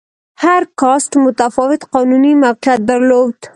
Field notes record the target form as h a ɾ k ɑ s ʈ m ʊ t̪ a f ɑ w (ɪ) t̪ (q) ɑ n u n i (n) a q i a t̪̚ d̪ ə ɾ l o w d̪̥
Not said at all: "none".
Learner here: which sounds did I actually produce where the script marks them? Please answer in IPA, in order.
ɪ, q, m

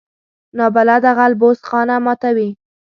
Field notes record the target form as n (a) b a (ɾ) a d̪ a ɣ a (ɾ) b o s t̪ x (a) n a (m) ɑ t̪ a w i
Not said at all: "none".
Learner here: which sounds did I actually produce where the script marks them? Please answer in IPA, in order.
ɑ, l, l, ɑ, m

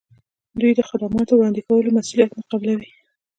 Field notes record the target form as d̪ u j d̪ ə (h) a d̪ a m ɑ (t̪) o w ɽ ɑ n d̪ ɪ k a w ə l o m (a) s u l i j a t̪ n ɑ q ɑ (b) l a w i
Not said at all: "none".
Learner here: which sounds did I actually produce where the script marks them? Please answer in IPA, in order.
x, t̪, a, b

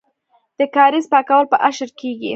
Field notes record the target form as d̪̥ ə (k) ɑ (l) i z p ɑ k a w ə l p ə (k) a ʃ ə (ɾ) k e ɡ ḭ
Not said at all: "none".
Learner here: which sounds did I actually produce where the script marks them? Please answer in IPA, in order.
k, ɾ, ʔ, ɾ

